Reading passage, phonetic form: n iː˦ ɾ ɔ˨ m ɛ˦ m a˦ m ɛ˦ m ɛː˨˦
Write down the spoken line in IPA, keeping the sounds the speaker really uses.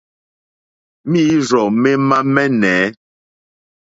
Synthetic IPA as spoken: m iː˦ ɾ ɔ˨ m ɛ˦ m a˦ m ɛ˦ n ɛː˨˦